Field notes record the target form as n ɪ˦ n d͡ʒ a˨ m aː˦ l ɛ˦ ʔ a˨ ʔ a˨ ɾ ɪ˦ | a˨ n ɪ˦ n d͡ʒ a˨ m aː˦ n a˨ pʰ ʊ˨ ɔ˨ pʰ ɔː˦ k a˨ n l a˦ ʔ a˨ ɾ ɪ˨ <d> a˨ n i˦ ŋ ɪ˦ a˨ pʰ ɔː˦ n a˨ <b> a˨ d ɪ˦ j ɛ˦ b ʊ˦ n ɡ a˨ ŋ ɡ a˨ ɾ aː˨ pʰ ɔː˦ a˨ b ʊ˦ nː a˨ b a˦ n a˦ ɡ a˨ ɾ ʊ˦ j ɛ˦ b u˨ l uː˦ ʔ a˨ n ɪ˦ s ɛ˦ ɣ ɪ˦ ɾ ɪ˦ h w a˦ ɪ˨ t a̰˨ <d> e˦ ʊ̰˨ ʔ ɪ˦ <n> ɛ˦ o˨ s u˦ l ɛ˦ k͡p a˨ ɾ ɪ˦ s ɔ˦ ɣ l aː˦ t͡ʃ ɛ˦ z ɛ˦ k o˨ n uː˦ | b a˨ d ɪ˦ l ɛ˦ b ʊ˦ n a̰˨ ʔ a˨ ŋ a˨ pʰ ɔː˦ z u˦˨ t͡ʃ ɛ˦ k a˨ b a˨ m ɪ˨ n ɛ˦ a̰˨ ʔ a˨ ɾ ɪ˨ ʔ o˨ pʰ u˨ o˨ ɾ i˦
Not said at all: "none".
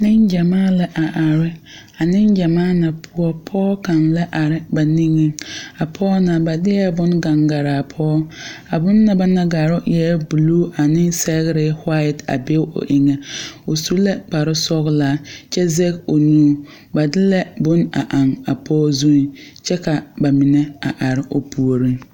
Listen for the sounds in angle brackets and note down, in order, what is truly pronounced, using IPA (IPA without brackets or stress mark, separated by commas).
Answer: b, b, b, ŋ